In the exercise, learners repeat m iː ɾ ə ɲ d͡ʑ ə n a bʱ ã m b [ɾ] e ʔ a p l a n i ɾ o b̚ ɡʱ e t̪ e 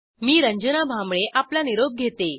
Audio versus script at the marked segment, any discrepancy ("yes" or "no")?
yes